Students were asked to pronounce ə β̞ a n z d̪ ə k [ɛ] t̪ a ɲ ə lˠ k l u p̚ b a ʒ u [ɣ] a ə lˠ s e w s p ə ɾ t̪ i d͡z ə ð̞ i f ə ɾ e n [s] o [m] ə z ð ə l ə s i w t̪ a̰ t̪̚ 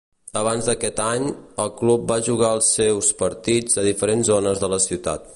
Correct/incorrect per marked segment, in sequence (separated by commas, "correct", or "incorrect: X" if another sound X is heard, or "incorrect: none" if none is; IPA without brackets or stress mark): correct, correct, incorrect: z, incorrect: n